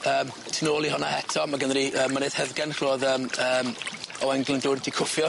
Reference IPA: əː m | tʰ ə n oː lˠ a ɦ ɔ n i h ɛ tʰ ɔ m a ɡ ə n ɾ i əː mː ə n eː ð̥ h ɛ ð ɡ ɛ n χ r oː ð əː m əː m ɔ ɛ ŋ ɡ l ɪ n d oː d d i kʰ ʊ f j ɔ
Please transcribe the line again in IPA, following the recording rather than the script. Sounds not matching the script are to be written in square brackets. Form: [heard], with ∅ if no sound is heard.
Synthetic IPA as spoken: əː m | tʰ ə n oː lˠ [i] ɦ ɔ n [a] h ɛ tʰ ɔ m a ɡ ə n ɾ i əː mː [a] n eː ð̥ h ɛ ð ɡ ɛ n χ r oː ð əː m əː m ɔ ɛ ŋ ɡ l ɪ n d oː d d i kʰ ʊ f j ɔ